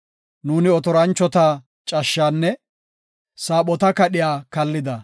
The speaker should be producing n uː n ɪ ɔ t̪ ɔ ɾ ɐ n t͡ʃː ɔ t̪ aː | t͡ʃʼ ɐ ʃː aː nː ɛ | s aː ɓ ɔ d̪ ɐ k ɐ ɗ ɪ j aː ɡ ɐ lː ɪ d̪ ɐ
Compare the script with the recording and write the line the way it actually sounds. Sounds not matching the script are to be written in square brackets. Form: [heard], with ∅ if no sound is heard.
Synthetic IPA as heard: n uː n ɪ ɔ t̪ ɔ ɾ ɐ n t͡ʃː ɔ t̪ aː | t͡ʃʼ ɐ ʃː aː nː ɛ | s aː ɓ ɔ [t̪] ɐ k ɐ ɗ ɪ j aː [k] ɐ lː ɪ d̪ ɐ